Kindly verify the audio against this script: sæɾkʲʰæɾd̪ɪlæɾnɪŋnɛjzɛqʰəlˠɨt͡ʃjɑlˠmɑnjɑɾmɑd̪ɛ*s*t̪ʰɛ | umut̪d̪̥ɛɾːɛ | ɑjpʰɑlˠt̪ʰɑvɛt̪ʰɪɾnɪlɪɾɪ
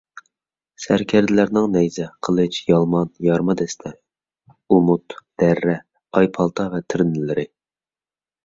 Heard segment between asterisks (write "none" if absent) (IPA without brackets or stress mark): s